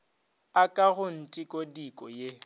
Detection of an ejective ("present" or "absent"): present